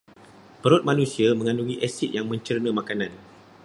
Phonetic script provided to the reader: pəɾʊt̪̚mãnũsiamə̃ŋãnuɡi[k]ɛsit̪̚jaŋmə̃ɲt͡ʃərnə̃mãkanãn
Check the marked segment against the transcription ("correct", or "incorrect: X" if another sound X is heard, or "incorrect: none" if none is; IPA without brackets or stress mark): incorrect: ʔ